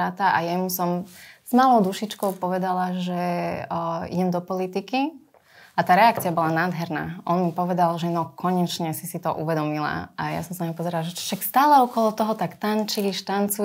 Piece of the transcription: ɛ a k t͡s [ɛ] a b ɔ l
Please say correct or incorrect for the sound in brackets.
incorrect